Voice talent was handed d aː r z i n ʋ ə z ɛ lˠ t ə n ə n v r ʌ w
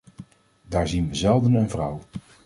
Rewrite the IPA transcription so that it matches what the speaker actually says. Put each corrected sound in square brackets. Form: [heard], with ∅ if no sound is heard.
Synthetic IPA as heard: d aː [ɹ] z i n ʋ ə z ɛ lˠ [d] ə n ə n v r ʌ w